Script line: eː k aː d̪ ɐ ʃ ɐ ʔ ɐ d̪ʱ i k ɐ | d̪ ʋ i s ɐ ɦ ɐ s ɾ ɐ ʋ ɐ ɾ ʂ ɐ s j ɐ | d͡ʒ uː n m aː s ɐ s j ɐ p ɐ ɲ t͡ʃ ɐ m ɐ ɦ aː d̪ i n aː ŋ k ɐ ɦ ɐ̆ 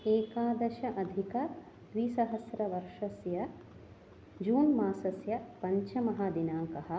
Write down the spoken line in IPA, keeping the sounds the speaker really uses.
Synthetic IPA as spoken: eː k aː d̪ ɐ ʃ ɐ ʔ ɐ d̪ʱ i k ɐ | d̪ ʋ i s ɐ ɦ ɐ s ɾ ɐ ʋ ɐ ɾ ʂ ɐ s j ɐ | d͡ʒ uː n m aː s ɐ s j ɐ p ɐ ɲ t͡ʃ ɐ m ɐ ɦ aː d̪ i n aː ŋ k ɐ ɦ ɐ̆